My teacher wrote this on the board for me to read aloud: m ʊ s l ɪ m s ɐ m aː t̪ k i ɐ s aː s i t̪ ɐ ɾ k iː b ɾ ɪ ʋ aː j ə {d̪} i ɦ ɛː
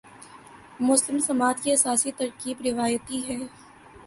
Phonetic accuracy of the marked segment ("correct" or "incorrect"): incorrect